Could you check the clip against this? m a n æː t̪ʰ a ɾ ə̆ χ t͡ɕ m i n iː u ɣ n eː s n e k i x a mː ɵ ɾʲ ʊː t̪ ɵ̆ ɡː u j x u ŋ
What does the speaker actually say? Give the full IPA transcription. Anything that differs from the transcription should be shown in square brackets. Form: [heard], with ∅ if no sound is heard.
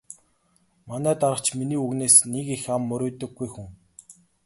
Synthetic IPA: m a n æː [t̪] a ɾ ə̆ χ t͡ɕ m i n iː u ɣ n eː s n e k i x a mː ɵ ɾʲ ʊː t̪ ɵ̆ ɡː u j x u ŋ